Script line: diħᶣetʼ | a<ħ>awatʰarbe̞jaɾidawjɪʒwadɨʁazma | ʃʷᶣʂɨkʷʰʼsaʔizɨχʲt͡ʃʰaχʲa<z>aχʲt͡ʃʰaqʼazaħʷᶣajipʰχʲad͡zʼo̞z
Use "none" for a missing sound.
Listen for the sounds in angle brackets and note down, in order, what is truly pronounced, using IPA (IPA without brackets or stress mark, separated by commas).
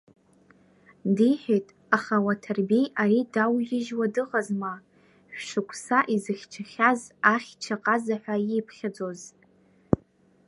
χ, z